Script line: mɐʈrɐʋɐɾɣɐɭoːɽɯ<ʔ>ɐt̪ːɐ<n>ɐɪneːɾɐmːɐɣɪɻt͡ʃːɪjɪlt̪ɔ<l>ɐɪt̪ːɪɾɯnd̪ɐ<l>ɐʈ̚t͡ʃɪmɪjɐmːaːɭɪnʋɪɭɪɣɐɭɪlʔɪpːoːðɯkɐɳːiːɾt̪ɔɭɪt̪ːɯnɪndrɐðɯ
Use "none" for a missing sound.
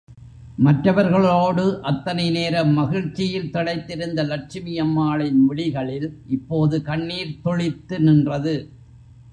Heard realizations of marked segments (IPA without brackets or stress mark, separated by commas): ʔ, n, ɽ, l